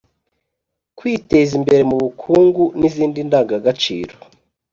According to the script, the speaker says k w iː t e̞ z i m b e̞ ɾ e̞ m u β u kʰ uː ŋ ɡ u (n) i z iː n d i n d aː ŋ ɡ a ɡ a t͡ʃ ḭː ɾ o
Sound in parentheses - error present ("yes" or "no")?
no